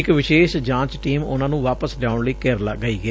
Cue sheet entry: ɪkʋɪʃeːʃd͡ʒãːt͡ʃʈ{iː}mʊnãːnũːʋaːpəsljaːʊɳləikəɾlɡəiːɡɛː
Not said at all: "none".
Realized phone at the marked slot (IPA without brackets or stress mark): iː